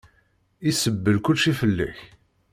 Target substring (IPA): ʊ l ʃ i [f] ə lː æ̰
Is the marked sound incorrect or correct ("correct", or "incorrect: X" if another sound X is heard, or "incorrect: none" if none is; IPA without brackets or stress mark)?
correct